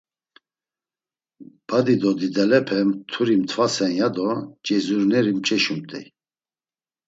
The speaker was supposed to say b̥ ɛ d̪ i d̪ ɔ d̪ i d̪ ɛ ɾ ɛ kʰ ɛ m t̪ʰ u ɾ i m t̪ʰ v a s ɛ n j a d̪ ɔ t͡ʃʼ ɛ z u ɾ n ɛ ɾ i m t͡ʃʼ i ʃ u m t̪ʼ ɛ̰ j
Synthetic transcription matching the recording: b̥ a d̪ i d̪ ɔ d̪ i d̪ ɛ l ɛ pʰ ɛ m t̪ʰ u ɾ i m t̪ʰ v a s ɛ n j a d̪ ɔ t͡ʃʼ ɛ z u ɾ n ɛ ɾ i m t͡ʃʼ ɛ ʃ u m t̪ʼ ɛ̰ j